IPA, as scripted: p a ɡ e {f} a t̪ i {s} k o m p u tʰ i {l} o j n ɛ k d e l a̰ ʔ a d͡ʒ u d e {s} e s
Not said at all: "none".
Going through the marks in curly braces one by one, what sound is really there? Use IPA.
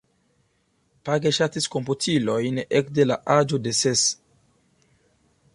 ʃ, s, l, s

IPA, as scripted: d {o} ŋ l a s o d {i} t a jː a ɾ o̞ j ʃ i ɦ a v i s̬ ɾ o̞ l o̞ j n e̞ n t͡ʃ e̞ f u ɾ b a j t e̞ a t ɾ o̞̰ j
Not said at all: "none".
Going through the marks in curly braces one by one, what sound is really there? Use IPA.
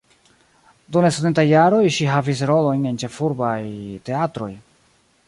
u, e

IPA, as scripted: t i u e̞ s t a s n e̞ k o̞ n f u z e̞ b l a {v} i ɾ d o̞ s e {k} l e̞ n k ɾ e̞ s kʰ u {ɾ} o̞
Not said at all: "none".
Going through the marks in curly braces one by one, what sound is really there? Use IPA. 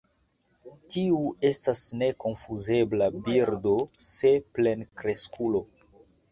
b, p, l

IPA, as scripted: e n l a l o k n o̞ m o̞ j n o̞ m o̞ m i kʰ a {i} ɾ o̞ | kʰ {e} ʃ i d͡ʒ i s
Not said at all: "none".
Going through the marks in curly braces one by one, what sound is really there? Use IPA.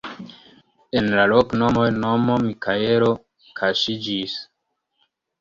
e, a

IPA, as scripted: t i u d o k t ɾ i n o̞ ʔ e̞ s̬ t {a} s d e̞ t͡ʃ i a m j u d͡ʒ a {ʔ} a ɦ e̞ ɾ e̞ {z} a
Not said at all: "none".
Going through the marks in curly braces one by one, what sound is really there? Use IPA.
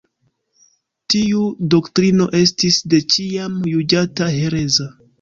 i, t, z

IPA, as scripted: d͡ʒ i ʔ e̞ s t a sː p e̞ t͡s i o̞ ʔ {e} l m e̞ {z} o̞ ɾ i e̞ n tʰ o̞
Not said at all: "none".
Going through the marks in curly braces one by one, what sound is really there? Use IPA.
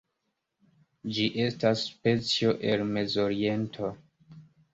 e, z

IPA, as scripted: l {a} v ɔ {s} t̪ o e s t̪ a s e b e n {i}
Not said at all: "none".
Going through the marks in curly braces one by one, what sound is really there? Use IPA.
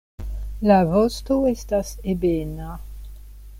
a, s, a

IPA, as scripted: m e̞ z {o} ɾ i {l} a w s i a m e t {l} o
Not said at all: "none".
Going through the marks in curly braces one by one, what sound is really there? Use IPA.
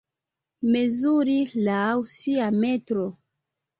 u, l, ɾ

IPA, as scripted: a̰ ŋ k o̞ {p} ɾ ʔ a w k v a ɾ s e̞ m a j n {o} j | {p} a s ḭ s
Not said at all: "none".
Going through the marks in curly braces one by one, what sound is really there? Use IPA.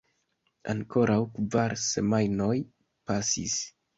none, o, p

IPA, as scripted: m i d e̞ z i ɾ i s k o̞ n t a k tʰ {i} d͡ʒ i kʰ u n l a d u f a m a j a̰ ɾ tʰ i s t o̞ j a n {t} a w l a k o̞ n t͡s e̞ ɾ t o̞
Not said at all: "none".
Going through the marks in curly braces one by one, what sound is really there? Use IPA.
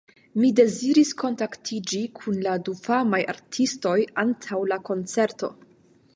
i, tʰ

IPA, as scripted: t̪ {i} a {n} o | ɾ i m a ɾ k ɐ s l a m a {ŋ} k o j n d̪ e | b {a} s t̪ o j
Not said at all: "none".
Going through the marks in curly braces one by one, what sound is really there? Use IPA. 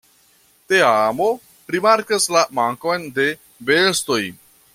e, m, ŋ, e

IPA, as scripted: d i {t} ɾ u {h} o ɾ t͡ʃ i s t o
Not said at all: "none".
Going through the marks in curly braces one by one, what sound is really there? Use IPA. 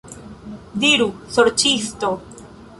none, s

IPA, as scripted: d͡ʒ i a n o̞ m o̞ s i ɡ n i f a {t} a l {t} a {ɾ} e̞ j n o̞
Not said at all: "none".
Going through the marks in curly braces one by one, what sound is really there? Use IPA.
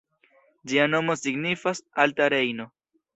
s, t, ɾ

